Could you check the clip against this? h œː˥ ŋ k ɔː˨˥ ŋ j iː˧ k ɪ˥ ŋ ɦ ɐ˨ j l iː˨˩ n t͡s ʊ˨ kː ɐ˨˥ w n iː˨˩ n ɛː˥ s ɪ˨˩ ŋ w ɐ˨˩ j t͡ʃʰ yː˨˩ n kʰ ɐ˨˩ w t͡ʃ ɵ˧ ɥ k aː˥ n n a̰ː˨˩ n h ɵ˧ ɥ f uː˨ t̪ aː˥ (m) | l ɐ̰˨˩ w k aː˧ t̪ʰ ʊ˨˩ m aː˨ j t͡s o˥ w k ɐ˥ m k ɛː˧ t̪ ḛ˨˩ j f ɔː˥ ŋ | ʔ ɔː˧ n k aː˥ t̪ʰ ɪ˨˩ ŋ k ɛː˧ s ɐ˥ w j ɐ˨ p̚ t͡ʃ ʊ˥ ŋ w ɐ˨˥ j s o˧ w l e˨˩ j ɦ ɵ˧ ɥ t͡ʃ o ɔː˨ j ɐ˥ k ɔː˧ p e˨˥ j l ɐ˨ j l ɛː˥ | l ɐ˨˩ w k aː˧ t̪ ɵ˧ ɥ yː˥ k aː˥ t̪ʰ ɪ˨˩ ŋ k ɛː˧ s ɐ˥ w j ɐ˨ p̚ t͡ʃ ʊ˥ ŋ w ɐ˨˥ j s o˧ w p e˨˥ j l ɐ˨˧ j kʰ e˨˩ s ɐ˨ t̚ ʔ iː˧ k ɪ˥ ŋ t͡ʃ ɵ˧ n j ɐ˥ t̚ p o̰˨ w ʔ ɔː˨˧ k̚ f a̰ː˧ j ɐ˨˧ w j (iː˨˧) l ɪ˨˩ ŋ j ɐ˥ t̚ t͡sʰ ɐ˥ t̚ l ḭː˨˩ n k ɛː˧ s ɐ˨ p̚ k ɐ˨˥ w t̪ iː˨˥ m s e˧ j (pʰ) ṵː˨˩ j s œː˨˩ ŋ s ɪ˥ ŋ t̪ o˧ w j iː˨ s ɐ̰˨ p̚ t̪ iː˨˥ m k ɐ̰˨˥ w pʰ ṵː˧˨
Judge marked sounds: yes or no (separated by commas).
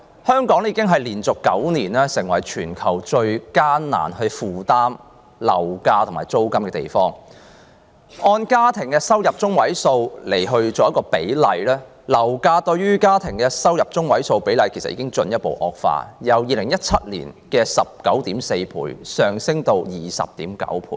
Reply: yes, yes, yes